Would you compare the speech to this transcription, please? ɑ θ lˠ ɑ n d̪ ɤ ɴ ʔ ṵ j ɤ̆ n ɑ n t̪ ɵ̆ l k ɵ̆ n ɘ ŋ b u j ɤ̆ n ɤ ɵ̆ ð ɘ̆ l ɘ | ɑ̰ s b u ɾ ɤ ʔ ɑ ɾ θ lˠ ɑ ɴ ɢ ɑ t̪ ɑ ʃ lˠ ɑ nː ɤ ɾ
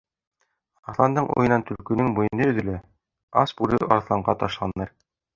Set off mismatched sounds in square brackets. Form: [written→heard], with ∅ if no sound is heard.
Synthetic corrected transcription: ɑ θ lˠ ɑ n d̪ ɤ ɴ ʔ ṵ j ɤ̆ n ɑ n t̪ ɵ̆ l k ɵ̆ n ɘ ŋ b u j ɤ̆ n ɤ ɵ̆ ð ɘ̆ l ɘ | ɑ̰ s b u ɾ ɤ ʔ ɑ ɾ θ lˠ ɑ ɴ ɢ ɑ t̪ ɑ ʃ lˠ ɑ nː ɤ ɾ

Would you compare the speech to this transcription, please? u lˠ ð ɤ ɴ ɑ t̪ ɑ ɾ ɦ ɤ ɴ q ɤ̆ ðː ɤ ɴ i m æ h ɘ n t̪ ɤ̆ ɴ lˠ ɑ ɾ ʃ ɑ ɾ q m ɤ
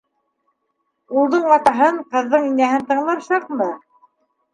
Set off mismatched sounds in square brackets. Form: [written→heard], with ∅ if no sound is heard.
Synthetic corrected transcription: u lˠ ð ɤ ɴ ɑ t̪ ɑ [ɾ→∅] ɦ ɤ ɴ q ɤ̆ ðː ɤ ɴ i [m→n] æ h ɘ n t̪ ɤ̆ ɴ lˠ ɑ ɾ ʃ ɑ [ɾ→∅] q m ɤ

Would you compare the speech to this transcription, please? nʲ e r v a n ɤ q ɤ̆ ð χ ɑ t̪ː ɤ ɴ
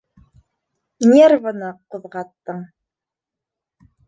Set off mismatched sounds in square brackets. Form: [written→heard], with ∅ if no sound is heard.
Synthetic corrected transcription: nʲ e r v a n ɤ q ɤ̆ ð [χ→ʁ] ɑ t̪ː ɤ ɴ

